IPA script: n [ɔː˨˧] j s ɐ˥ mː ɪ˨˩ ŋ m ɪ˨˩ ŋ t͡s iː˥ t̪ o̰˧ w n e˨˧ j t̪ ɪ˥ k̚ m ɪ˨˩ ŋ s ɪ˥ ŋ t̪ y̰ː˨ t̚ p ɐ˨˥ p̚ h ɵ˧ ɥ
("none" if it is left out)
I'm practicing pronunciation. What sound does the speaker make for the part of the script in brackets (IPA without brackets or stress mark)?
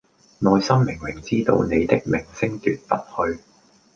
ɔː˨˧